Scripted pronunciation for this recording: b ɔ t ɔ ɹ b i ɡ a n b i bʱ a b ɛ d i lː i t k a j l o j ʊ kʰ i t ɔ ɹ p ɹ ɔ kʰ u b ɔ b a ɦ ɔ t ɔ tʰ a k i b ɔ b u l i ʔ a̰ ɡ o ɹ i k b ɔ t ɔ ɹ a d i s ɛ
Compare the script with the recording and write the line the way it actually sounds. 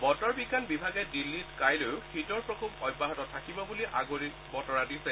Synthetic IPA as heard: b ɔ t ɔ ɹ b i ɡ a n b i bʱ a ɡ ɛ d i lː i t k a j l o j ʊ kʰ i t ɔ ɹ p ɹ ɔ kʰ u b ɔ b a ɦ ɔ t ɔ tʰ a k i b ɔ b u l i ʔ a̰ ɡ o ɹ i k b ɔ t ɔ ɹ a d i s ɛ